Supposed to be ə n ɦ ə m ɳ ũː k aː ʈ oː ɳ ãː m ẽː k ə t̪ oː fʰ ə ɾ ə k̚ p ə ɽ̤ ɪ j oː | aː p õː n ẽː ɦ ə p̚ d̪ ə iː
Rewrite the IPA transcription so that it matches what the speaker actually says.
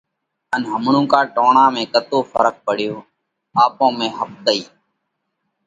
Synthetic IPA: ə n ɦ ə m ɳ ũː k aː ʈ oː ɳ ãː m ẽː k ə t̪ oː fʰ ə ɾ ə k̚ p ə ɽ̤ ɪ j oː | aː p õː m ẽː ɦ ə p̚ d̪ ə iː